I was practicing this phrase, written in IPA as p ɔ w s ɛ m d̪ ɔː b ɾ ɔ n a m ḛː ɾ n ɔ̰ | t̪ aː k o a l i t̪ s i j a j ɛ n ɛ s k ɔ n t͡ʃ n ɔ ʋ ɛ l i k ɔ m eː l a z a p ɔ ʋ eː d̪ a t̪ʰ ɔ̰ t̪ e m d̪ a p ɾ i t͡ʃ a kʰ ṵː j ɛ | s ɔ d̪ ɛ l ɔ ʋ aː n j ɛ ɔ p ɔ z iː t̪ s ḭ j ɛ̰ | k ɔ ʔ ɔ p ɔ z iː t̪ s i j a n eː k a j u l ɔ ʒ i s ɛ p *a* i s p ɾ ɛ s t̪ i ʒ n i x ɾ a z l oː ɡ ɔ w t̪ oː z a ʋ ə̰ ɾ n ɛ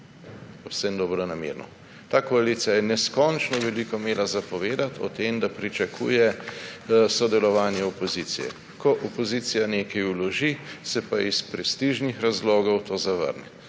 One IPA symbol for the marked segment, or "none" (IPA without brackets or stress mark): a